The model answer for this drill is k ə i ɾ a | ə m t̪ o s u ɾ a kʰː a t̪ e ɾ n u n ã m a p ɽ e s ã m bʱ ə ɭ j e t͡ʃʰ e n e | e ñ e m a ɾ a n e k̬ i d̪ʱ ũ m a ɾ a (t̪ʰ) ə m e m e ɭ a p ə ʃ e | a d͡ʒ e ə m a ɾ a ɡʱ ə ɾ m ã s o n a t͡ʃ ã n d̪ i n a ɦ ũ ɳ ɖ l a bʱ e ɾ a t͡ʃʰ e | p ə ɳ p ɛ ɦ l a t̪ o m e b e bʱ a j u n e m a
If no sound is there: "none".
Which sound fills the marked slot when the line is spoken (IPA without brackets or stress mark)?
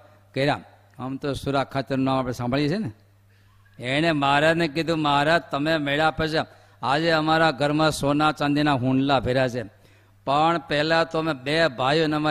t̪